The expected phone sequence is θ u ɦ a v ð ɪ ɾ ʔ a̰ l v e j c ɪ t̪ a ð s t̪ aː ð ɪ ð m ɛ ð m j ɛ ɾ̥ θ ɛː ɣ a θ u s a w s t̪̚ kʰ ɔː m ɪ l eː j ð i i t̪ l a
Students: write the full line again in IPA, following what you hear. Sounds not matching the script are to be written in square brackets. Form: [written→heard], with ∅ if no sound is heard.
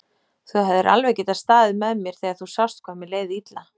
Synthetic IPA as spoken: θ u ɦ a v ð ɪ ɾ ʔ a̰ l v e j c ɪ t̪ a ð s t̪ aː ð ɪ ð m ɛ ð m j ɛ ɾ̥ θ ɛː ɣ a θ u s a w s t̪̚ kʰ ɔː m ɪ l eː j ð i i t̪ l a